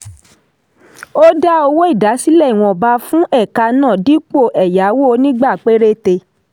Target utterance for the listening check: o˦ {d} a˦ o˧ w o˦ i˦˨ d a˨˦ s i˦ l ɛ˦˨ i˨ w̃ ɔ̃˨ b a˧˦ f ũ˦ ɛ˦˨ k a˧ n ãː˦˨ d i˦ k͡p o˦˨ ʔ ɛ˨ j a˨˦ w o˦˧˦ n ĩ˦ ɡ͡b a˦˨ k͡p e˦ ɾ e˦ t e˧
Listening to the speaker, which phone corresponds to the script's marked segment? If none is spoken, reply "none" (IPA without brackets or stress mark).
d